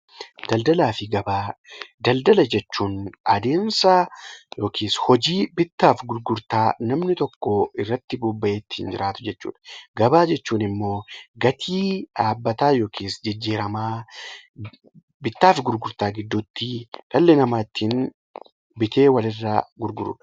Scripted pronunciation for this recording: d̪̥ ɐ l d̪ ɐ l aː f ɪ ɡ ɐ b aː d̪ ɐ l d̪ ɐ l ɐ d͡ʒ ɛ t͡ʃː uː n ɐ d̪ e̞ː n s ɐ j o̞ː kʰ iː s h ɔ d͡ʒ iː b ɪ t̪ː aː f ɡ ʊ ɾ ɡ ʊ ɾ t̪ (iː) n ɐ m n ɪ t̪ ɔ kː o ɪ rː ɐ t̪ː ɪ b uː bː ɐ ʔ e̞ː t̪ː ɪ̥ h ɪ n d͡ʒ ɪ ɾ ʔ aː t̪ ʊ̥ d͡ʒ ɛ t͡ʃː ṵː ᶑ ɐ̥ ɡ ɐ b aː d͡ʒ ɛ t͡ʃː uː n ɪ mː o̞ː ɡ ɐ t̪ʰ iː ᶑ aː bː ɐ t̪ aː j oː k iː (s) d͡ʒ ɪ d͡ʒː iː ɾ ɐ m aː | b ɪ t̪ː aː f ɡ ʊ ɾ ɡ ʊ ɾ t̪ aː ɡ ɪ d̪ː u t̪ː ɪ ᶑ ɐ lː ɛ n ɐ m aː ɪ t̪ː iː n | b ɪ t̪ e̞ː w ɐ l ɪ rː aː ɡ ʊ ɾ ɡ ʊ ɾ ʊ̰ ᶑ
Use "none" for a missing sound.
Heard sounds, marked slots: aː, s

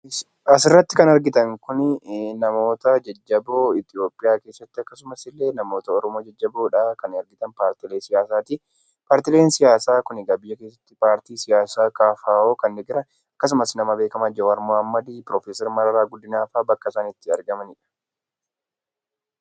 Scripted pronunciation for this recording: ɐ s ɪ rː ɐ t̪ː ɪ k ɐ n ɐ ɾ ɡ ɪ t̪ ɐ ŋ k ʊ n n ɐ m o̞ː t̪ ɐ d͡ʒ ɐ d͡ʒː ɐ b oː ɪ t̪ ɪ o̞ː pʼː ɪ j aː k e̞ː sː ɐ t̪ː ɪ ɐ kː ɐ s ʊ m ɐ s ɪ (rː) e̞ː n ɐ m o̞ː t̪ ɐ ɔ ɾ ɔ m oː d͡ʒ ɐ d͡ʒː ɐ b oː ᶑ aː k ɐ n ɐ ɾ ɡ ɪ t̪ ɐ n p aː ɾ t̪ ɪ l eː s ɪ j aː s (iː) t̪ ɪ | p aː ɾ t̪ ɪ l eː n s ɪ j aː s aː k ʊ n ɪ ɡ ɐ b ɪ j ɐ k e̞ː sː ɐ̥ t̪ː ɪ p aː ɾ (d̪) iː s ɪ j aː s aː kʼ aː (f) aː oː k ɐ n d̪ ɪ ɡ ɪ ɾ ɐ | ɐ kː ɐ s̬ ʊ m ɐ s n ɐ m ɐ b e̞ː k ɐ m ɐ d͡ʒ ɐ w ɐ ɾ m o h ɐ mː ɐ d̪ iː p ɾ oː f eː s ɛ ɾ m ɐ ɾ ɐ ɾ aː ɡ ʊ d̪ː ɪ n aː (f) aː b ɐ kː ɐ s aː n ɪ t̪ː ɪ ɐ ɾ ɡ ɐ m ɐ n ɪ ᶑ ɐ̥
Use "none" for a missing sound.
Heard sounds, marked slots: lː, aː, t̪, f, f

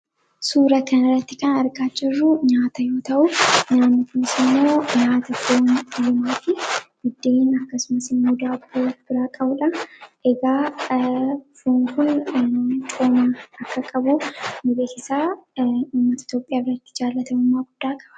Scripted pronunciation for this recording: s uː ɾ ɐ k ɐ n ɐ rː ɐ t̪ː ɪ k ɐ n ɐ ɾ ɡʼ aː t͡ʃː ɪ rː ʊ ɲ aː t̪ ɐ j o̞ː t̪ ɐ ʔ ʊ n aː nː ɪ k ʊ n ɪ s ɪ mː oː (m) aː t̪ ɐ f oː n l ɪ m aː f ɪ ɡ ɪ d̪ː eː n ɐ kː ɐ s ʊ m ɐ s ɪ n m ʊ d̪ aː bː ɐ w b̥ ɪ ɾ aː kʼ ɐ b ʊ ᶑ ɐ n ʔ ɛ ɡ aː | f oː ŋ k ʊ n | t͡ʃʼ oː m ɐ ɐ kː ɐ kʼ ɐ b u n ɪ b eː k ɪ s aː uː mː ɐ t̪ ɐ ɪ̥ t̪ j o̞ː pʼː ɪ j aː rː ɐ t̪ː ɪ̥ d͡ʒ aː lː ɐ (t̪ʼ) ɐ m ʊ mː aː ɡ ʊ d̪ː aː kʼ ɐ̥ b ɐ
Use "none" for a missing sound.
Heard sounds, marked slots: ɲ, t̪

